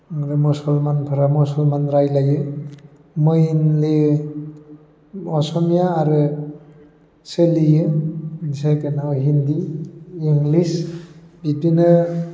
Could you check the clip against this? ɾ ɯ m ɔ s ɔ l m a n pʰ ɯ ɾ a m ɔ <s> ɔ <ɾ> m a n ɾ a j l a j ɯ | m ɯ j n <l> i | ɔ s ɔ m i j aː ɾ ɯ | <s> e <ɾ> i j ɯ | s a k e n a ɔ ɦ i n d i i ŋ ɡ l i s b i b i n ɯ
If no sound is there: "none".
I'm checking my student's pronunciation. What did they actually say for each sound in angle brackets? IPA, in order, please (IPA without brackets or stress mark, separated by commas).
s, l, l, s, l